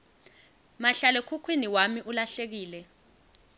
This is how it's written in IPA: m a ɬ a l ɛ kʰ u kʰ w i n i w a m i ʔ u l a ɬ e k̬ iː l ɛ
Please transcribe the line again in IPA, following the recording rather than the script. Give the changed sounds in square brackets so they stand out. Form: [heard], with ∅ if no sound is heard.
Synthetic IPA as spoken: m a ɬ a l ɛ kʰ u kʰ w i n i w a m i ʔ u l a ɬ e k̬ iː l ɛ